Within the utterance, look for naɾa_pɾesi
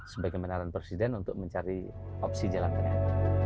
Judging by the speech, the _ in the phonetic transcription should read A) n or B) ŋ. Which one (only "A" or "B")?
A